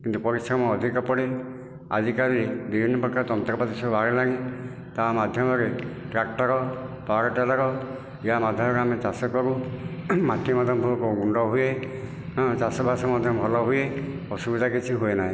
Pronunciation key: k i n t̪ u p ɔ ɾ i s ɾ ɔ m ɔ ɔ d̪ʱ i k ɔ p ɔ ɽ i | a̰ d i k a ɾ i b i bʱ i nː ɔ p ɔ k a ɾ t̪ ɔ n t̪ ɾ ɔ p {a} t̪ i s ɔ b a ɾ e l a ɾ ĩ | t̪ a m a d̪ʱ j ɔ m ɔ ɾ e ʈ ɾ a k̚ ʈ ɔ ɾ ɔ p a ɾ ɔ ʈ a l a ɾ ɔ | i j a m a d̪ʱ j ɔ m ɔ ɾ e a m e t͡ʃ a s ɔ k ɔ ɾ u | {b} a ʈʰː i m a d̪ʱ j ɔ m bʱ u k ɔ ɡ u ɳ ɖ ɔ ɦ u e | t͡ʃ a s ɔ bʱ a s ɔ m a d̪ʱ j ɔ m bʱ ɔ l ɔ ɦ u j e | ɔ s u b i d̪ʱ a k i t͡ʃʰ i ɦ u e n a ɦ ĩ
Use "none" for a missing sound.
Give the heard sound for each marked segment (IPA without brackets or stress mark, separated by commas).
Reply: a, m